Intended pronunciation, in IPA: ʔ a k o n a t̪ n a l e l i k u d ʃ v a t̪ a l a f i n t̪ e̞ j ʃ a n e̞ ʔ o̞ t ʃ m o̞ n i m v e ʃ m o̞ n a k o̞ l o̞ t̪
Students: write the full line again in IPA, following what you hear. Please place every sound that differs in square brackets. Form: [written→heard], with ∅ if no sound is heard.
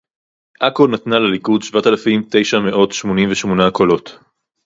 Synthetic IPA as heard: ʔ a k o n a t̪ n a l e l i k u d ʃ v a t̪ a l a f i [n→m] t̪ e̞ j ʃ a [n→m] e̞ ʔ o̞ t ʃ m o̞ n i m v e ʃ m o̞ n a k o̞ l o̞ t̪